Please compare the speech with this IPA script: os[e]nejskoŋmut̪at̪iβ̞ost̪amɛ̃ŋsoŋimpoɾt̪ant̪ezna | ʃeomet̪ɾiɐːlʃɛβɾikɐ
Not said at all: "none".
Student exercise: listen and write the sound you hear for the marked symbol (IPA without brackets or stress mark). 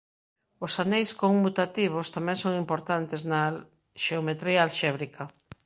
a